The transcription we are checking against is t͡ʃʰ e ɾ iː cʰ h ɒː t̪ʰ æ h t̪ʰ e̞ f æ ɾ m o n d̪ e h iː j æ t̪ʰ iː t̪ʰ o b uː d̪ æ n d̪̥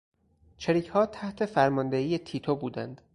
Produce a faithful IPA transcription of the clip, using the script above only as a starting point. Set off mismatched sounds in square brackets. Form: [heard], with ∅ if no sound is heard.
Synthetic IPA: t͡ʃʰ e ɾ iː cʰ h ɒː t̪ʰ æ h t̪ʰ e̞ f æ ɾ m [ɒ] n d̪ e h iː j [e] t̪ʰ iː t̪ʰ o b uː d̪ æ n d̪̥